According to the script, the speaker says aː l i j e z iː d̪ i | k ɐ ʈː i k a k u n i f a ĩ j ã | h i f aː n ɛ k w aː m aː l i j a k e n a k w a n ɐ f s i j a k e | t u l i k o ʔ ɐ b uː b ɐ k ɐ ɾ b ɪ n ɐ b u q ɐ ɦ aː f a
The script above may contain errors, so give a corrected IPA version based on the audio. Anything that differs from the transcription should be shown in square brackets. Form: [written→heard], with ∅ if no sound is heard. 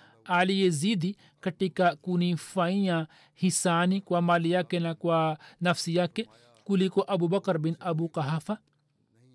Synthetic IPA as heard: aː l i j e z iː d̪ i | k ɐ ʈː i k a k u n i f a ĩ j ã | h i [f→s] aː n [ɛ→i] k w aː m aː l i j a k e n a k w a n ɐ f s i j a k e | [t→k] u l i k o ʔ ɐ b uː b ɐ k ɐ ɾ b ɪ n ɐ b u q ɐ ɦ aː f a